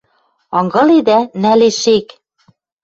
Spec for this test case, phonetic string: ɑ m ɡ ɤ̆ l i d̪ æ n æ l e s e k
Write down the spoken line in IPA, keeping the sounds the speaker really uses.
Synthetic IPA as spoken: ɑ ŋ ɡ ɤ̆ l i d̪ æ n æ l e ʃ e k